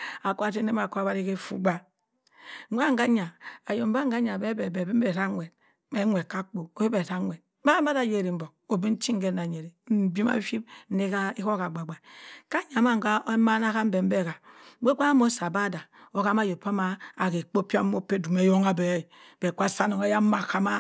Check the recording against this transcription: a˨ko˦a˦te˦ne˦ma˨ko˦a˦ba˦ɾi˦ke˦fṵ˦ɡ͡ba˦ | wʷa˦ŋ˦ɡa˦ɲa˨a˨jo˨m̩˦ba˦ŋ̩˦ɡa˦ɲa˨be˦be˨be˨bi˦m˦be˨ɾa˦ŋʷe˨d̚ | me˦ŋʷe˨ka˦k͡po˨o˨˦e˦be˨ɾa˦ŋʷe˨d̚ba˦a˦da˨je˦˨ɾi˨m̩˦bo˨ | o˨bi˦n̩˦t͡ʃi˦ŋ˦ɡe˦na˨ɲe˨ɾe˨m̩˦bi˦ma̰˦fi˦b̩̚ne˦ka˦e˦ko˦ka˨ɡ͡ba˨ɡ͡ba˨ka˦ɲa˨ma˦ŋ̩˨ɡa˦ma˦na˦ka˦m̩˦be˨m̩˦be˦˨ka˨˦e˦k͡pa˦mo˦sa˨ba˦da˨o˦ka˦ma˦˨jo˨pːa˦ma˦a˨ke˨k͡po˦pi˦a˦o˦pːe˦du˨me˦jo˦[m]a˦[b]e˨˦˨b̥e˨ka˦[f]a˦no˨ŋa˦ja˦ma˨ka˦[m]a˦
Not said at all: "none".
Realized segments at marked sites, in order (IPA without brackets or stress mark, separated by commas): ŋ, b, s, m